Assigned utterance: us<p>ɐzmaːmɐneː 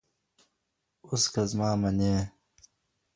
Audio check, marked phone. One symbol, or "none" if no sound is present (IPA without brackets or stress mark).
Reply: k